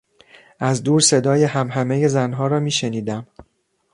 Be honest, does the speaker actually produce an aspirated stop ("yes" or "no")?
no